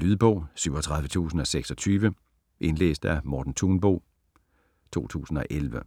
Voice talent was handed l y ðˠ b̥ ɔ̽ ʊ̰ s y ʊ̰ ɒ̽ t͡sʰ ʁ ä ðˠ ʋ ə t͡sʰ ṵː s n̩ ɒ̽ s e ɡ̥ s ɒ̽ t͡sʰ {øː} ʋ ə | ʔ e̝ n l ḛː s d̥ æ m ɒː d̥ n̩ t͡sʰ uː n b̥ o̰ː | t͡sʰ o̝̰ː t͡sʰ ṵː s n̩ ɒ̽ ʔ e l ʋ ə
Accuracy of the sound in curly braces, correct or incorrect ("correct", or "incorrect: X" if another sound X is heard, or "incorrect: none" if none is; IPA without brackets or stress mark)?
incorrect: yː